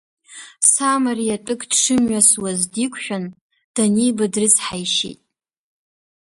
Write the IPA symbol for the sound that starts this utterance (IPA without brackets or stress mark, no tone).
s